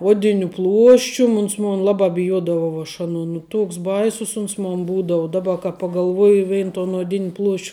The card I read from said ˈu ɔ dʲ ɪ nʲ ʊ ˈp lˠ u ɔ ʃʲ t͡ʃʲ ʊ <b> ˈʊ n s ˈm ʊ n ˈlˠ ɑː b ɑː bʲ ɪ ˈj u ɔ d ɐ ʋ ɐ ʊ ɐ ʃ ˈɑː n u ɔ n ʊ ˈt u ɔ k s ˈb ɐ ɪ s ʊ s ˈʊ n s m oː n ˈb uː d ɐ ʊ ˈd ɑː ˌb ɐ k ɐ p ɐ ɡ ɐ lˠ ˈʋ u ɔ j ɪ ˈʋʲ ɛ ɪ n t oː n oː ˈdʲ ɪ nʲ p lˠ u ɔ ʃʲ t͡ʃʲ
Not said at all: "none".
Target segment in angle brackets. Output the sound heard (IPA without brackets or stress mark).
m